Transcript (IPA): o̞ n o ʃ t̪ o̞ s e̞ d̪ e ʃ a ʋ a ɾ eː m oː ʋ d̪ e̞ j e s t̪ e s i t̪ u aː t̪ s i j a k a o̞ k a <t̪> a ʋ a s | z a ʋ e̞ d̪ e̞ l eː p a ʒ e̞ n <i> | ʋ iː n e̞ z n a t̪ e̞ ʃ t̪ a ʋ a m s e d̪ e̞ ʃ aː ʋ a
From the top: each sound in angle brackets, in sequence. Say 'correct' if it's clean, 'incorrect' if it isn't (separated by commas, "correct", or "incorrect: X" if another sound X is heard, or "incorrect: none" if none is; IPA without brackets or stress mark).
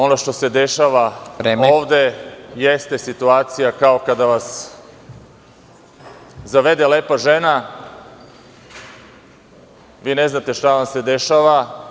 incorrect: d̪, incorrect: a